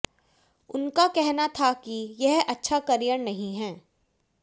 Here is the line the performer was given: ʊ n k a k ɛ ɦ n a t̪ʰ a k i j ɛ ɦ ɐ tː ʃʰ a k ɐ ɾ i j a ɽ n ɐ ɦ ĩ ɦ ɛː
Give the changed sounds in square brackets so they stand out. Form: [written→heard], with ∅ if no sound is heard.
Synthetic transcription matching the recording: ʊ n k a k ɛ ɦ n a t̪ʰ a k i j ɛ ɦ ɐ tː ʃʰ a k ɐ ɾ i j [a→ə] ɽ n ɐ ɦ ĩ ɦ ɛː